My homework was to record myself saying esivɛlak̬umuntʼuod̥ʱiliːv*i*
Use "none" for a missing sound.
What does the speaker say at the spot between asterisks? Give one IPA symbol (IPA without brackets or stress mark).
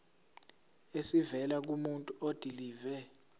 ɛ